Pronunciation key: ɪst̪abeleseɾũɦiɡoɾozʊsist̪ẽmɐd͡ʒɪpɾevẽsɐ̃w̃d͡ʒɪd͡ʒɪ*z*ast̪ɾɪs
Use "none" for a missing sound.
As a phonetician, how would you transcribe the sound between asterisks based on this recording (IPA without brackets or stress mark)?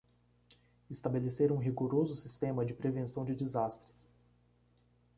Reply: z